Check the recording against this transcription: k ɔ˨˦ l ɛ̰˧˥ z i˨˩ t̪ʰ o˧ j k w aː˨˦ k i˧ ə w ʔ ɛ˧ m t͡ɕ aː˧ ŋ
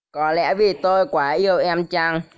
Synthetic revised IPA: k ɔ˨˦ l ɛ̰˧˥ v i˨˩ t̪ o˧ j k w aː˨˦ ʔ i˧ ə w ʔ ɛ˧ m t͡ɕ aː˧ ŋ